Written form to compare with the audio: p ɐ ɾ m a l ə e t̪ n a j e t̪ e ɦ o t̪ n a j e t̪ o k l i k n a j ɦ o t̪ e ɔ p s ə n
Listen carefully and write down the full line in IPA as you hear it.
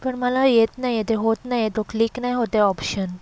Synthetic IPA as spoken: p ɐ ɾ m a l a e t̪ n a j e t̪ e ɦ o t̪ n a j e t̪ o k l i k n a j ɦ o t̪ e ɔ p ʃ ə n